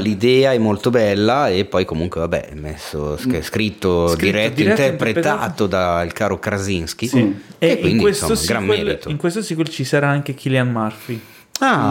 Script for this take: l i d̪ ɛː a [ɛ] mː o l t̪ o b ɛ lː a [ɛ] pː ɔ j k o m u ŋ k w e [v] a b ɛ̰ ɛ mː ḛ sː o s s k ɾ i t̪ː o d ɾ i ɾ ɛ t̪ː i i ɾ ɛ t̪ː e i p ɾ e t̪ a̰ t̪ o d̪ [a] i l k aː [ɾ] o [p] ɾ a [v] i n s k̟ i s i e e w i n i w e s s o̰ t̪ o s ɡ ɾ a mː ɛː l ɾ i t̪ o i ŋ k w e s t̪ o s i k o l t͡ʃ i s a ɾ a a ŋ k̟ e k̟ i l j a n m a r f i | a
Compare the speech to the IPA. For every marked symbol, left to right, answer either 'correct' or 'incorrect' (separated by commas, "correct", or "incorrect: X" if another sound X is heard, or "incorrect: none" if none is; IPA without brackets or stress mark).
correct, incorrect: e, correct, correct, correct, incorrect: k, incorrect: z